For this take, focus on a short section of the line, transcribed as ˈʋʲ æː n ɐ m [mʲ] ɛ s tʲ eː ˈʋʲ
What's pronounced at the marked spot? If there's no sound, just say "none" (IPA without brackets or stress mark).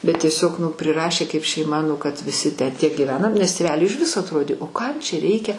nʲ